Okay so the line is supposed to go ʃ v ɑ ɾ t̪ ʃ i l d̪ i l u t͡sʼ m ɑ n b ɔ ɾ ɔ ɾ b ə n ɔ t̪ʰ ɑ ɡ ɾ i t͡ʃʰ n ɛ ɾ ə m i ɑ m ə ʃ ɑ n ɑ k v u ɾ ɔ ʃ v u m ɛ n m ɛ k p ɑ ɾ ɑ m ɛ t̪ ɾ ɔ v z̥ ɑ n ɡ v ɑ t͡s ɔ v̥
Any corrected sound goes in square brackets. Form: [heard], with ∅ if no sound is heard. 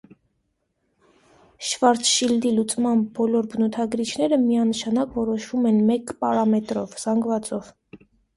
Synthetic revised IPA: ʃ v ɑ ɾ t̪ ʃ i l d̪ i l u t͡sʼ m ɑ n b ɔ [l] ɔ ɾ b ə n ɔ t̪ʰ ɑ ɡ ɾ i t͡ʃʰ n ɛ ɾ ə m i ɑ [n] ə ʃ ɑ n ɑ k v [ɔ] ɾ ɔ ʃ v u m ɛ n m ɛ k p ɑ ɾ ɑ m ɛ t̪ ɾ ɔ v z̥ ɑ [ŋ] ɡ v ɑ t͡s ɔ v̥

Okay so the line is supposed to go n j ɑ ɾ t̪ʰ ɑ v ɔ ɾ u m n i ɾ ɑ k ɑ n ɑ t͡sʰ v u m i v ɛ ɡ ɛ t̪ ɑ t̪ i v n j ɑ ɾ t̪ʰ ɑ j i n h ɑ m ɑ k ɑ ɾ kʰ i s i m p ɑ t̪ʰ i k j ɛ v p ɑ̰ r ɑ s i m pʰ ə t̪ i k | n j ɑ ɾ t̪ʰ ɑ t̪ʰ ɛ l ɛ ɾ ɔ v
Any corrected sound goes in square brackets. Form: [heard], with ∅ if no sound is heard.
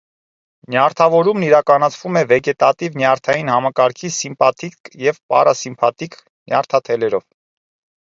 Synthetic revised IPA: n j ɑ ɾ t̪ʰ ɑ v ɔ ɾ u m n i ɾ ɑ k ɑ n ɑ t͡sʰ v u m [ɛ] v ɛ ɡ ɛ t̪ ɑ t̪ i v n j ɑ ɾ t̪ʰ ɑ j i n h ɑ m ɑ k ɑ ɾ kʰ i s i m p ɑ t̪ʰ i k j ɛ v p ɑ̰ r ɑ s i m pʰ [ɑ] t̪ i k | n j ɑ ɾ t̪ʰ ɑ t̪ʰ ɛ l ɛ ɾ ɔ v

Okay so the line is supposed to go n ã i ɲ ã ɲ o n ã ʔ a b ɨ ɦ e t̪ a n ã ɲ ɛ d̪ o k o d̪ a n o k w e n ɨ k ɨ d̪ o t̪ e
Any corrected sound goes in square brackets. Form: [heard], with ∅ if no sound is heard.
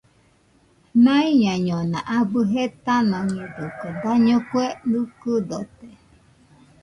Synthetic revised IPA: n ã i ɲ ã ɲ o n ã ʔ a b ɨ ɦ e t̪ a n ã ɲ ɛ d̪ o k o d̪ a [ɲ] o k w e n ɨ k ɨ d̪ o t̪ e

